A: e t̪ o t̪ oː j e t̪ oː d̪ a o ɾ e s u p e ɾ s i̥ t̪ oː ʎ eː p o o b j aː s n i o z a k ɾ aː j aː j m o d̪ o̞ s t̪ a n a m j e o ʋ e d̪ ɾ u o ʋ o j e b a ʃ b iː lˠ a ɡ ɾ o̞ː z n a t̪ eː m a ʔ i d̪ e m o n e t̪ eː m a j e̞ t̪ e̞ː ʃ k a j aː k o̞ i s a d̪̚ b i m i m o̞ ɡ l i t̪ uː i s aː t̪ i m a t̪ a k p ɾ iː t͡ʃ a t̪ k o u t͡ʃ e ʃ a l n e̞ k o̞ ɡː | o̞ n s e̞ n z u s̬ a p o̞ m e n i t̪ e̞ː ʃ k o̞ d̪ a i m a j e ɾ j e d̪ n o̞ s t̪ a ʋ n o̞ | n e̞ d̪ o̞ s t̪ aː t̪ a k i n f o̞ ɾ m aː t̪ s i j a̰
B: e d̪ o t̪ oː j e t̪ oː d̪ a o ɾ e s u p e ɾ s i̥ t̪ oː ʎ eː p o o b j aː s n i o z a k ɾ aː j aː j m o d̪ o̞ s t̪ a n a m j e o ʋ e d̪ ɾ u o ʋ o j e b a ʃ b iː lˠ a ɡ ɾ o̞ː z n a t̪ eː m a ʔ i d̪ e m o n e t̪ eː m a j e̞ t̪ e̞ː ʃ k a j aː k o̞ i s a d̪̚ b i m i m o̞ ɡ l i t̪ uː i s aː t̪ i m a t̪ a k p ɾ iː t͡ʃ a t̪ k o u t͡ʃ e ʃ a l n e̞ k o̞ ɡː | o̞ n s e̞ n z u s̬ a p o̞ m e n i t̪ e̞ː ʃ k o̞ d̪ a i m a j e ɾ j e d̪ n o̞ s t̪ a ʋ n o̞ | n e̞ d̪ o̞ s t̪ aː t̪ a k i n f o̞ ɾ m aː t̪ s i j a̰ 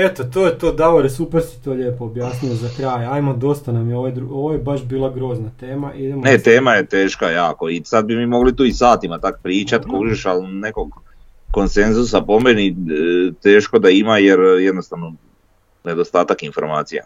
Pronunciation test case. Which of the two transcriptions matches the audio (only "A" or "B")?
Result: A